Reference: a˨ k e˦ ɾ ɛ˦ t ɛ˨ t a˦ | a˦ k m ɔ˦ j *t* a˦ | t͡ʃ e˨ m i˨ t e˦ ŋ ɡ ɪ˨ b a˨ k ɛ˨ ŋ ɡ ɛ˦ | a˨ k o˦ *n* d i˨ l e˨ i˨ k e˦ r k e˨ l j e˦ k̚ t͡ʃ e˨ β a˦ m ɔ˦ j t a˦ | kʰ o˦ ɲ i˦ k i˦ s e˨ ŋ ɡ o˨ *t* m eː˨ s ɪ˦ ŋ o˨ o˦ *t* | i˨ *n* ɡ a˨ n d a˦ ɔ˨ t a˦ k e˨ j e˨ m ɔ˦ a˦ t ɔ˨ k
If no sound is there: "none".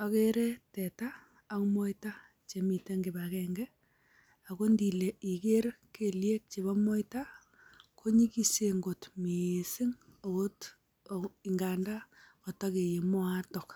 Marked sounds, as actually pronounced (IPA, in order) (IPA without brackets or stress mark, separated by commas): t, n, t, t, ŋ